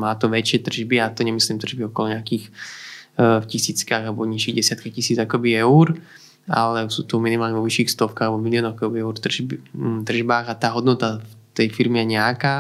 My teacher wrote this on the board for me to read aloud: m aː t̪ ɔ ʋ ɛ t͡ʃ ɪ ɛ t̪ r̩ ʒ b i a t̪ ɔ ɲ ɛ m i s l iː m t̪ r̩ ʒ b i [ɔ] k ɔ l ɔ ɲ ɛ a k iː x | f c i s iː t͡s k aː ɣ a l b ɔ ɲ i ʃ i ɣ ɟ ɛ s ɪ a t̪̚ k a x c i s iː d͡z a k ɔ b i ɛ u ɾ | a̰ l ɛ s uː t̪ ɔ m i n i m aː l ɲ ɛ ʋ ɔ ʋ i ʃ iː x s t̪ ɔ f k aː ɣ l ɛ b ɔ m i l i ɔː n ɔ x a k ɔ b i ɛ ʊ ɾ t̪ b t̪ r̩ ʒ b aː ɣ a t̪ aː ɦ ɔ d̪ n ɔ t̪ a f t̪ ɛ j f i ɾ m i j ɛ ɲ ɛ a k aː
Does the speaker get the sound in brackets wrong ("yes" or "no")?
no